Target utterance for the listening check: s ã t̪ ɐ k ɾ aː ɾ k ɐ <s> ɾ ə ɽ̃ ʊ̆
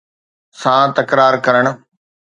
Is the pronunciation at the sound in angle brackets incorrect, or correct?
incorrect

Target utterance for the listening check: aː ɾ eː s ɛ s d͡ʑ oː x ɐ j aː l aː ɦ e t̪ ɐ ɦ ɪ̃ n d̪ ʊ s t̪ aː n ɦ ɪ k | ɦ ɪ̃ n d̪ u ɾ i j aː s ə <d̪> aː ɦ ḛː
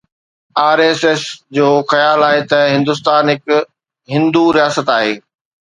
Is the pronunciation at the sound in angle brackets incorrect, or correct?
incorrect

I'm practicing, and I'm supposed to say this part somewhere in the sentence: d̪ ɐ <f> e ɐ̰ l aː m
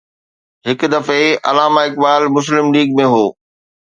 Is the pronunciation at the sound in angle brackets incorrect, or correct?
correct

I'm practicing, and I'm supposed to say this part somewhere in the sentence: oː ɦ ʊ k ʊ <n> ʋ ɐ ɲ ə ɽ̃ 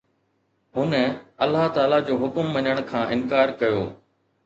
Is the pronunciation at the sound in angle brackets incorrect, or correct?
incorrect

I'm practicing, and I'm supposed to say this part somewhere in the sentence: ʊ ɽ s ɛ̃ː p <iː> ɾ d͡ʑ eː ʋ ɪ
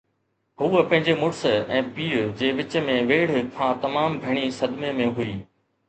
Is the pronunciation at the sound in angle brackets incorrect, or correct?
correct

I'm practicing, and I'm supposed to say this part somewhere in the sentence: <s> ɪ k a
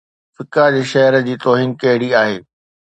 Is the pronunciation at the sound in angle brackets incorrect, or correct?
incorrect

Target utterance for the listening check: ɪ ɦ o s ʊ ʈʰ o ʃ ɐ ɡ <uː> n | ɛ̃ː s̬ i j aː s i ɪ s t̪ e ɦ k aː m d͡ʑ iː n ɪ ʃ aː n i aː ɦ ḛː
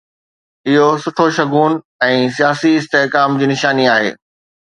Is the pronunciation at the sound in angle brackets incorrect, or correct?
correct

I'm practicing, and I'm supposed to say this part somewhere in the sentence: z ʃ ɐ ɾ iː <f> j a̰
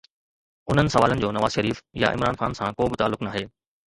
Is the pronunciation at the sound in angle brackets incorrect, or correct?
correct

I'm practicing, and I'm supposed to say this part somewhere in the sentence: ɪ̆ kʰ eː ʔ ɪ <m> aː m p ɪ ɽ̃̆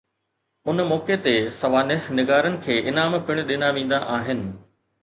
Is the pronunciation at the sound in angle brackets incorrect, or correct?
incorrect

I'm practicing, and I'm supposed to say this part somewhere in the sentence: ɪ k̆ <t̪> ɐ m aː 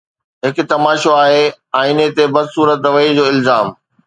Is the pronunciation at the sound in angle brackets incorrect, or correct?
correct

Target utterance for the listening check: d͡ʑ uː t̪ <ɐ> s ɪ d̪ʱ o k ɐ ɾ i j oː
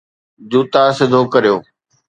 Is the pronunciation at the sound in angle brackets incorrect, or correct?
incorrect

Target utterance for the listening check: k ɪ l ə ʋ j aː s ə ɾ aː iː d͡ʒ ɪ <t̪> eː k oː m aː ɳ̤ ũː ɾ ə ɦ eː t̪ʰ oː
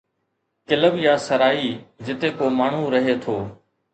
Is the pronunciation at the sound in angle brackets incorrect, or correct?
correct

